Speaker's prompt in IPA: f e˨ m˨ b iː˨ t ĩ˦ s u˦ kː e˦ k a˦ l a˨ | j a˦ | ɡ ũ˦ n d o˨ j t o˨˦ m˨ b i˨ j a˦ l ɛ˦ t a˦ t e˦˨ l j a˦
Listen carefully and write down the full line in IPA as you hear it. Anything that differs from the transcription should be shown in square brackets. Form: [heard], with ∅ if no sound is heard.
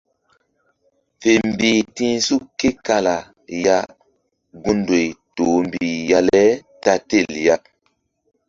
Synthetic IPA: f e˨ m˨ b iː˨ t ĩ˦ s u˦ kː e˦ k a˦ l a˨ | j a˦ | ɡ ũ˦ n d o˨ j t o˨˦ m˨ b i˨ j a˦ l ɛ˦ t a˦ t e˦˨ l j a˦